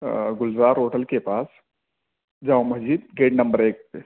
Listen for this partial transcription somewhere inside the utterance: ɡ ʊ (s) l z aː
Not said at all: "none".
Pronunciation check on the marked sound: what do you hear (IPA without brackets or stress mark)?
none